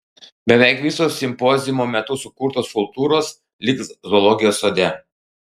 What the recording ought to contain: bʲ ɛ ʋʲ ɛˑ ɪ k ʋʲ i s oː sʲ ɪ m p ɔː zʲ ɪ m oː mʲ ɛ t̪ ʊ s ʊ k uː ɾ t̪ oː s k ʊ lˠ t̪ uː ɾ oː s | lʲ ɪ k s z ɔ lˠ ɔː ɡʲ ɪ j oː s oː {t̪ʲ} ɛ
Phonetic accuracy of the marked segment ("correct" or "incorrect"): incorrect